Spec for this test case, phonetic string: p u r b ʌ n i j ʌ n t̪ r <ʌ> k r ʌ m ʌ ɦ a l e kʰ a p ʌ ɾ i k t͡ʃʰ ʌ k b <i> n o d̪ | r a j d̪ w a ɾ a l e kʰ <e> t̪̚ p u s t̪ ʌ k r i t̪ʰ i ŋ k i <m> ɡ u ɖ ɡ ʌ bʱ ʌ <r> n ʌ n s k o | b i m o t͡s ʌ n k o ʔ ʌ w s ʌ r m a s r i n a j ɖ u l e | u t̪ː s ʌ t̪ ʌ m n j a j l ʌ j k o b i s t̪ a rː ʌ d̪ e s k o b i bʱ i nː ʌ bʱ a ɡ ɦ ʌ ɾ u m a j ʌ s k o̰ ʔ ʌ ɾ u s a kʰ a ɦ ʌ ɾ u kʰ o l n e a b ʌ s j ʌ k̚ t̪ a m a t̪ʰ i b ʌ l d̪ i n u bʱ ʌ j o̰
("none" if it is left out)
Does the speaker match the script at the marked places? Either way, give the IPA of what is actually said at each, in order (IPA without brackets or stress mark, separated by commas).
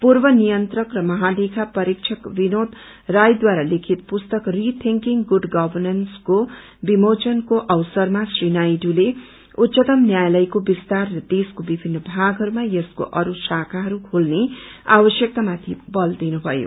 ʌ, i, i, ŋ, r